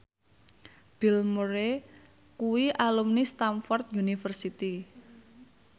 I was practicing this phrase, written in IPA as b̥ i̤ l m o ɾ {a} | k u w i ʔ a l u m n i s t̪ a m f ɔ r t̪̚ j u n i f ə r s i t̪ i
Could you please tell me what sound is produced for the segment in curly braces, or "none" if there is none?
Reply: e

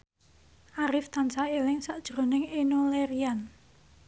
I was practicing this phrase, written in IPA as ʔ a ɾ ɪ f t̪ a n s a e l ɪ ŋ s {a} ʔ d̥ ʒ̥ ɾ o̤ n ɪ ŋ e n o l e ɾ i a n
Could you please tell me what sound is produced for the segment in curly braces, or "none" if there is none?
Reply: a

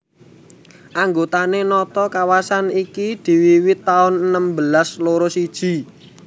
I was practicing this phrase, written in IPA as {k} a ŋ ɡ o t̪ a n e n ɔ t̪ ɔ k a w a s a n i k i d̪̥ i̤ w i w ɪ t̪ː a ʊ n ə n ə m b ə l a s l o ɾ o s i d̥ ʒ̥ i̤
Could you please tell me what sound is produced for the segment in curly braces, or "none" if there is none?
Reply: ʔ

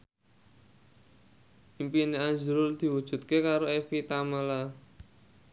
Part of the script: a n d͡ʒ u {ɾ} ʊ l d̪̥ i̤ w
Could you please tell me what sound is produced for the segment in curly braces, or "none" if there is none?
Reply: ɾ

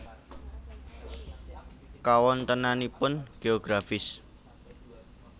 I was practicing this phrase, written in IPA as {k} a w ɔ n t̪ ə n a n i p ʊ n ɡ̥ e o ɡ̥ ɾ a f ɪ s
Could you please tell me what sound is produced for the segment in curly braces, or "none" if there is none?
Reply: k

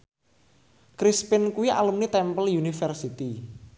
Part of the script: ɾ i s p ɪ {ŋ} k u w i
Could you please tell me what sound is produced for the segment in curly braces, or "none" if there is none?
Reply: n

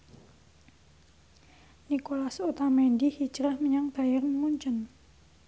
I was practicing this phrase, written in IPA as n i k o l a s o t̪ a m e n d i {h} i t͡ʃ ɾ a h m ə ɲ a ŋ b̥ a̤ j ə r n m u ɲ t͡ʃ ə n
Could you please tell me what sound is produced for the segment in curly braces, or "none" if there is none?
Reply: h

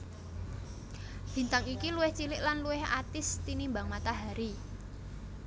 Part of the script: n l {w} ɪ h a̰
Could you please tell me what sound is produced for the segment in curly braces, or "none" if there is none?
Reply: u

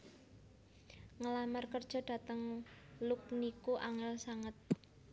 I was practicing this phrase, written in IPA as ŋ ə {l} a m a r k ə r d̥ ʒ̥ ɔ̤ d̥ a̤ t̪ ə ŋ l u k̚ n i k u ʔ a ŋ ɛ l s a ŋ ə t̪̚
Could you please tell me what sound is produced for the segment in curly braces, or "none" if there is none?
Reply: l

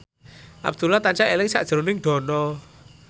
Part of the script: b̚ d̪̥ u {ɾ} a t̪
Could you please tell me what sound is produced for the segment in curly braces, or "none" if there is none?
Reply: l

